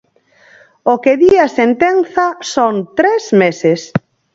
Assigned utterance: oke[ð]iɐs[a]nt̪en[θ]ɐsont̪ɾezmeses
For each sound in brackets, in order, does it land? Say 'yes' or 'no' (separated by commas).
yes, no, yes